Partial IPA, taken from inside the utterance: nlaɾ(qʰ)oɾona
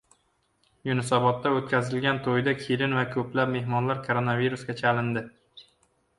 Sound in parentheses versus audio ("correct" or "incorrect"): incorrect